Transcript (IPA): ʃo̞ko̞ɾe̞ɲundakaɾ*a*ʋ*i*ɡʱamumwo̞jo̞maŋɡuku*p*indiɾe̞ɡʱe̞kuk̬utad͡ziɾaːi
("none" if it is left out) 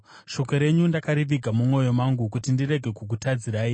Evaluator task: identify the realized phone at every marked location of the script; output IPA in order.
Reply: i, i, t

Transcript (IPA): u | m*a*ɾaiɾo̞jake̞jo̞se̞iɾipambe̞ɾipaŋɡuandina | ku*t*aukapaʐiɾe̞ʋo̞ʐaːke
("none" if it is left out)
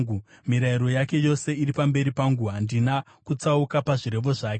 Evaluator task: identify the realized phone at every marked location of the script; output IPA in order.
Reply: i, t͡s

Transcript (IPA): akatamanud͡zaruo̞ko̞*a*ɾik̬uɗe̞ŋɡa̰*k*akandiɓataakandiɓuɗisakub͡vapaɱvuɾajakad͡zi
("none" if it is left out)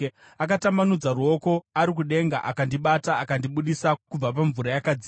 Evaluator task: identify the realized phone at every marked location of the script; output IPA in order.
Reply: a, ʔ

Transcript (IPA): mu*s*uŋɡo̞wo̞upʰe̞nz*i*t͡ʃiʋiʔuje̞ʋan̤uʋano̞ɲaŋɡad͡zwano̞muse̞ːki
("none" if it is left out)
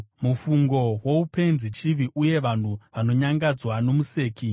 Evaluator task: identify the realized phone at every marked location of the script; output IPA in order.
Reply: f, i

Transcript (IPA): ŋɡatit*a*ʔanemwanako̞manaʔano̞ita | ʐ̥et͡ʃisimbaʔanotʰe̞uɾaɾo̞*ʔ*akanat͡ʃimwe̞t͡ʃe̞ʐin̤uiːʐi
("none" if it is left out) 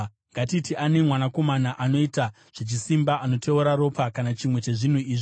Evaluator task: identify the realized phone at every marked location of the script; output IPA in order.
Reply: i, p

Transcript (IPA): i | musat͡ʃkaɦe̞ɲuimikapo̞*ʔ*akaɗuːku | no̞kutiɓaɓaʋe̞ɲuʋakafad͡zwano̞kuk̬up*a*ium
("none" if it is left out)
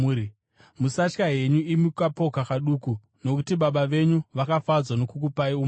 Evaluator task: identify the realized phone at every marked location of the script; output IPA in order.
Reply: k, a

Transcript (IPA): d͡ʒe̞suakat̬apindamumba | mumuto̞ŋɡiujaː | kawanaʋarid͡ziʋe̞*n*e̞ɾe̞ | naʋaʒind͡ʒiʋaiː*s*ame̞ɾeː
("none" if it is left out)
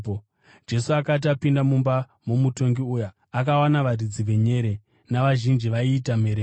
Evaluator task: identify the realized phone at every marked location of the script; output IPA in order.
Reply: ɲ, t

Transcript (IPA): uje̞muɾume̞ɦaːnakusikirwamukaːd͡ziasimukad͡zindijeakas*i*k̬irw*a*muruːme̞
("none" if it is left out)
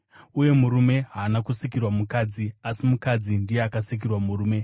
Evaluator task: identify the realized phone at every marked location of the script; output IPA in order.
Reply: i, a

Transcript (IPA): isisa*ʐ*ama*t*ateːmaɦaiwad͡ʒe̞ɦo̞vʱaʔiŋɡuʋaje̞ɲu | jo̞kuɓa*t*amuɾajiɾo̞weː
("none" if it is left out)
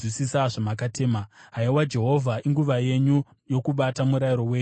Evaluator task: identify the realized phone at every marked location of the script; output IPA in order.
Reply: ʐ, k, t

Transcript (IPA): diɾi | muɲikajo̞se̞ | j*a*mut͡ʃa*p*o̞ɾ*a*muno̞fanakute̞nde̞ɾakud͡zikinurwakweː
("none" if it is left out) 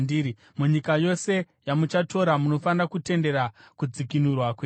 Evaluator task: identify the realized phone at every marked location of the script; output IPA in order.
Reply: a, t, a

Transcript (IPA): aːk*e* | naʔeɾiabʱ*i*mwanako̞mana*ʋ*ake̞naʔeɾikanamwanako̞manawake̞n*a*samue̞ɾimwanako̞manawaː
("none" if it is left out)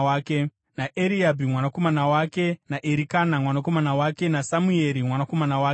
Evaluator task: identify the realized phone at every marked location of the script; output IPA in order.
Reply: e, i, w, a

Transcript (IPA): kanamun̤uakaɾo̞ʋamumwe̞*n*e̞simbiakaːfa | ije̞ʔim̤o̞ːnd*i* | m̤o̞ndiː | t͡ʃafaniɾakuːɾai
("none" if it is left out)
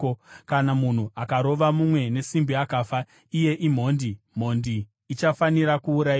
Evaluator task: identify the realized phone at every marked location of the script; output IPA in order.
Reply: n, i

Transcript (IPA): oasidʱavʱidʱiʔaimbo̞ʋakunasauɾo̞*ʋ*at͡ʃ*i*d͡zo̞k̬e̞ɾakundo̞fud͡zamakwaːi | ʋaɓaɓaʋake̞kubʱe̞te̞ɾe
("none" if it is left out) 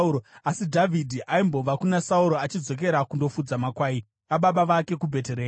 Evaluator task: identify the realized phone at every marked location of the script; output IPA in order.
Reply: none, i

